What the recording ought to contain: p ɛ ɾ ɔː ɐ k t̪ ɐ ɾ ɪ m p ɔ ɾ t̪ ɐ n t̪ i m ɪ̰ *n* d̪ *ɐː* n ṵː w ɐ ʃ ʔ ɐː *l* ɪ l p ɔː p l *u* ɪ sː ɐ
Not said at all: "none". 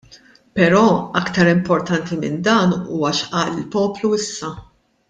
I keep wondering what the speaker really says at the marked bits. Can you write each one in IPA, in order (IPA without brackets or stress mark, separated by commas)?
n, ɐː, l, u